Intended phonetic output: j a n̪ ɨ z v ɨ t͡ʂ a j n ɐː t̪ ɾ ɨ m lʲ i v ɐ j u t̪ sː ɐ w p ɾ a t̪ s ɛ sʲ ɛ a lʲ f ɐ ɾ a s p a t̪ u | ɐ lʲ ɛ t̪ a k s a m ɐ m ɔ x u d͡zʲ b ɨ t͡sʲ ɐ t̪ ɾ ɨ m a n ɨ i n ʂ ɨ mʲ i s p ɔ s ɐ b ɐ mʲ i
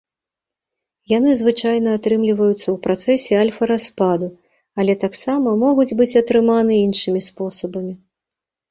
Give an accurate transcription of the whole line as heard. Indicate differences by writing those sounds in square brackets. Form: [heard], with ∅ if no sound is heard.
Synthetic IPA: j a n̪ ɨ z v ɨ t͡ʂ a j n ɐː t̪ ɾ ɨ m lʲ i v ɐ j u t̪ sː ɐ w p ɾ a t̪ s ɛ sʲ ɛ a lʲ f ɐ ɾ a s p a [d̪] u | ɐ lʲ ɛ t̪ a k s a m ɐ m ɔ [ɣ] u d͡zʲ b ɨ t͡sʲ ɐ t̪ ɾ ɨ m a n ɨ i n ʂ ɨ mʲ i s p ɔ s ɐ b ɐ mʲ i